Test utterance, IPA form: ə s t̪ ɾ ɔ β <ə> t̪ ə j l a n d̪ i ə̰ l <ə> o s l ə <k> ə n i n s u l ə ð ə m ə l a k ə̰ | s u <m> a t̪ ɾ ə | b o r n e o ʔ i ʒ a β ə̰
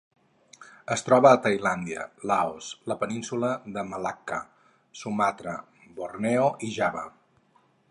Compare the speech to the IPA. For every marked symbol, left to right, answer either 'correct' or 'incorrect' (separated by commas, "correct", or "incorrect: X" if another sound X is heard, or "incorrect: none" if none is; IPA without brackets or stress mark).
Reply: incorrect: əː, incorrect: a, incorrect: p, correct